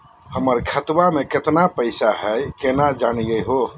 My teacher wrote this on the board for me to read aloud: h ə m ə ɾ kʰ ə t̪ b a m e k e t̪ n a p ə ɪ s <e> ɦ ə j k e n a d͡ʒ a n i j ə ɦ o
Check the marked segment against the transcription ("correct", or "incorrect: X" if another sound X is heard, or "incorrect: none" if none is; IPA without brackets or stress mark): incorrect: a